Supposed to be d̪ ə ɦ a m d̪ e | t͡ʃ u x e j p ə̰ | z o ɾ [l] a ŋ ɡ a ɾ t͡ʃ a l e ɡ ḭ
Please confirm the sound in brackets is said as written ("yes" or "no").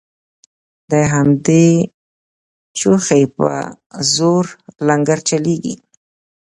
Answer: yes